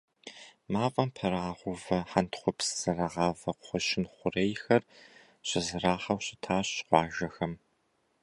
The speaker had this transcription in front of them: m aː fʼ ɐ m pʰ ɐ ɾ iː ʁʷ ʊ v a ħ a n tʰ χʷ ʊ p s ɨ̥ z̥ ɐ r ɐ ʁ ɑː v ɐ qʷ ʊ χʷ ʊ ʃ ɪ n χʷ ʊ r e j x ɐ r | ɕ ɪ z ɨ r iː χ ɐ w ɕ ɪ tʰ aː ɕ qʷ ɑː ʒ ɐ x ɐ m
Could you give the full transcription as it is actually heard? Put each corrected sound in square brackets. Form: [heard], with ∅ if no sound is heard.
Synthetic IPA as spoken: m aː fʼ ɐ m pʰ ɐ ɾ [aː] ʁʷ ʊ v [ɐ] ħ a n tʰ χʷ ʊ p s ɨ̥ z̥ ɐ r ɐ ʁ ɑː v ɐ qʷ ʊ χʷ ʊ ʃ ɪ n χʷ ʊ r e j x ɐ r | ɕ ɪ z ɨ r [aː] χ ɐ w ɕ ɪ tʰ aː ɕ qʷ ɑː ʒ ɐ x ɐ m